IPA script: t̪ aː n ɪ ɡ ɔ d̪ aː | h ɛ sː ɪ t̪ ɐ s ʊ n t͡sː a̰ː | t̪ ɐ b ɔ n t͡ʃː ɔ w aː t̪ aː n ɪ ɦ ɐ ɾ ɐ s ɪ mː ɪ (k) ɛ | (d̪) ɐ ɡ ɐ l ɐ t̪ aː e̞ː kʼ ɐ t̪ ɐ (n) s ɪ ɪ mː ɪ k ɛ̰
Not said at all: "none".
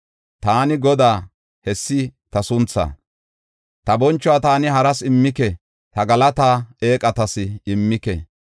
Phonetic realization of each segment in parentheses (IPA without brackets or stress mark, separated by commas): k, t̪, none